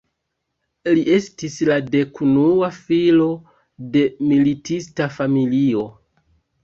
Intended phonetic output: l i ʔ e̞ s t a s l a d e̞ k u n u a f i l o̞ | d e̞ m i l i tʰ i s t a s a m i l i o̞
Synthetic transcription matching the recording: l i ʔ e̞ s t i s l a d e̞ k u n u a f i l o̞ | d e̞ m i l i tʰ i s t a f a m i l i o̞